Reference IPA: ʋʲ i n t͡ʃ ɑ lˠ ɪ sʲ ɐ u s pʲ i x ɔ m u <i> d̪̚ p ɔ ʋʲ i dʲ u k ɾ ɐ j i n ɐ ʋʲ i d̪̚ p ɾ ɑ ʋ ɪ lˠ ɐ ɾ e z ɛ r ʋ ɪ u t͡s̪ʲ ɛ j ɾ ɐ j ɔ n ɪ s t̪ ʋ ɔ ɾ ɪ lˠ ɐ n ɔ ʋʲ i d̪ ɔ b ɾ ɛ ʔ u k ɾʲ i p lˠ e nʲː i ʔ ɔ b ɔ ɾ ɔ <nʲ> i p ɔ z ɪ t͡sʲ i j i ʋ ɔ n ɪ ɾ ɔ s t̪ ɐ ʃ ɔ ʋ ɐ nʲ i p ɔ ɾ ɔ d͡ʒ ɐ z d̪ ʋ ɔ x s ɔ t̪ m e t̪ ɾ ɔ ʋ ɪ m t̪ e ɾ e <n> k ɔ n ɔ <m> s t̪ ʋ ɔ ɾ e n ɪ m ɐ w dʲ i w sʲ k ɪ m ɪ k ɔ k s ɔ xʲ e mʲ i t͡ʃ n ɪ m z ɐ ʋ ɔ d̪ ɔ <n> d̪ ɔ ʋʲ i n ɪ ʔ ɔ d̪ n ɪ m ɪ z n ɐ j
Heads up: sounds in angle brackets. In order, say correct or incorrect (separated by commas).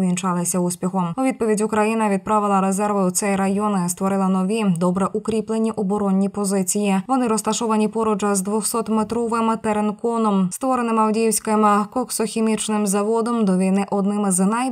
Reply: correct, incorrect, correct, correct, incorrect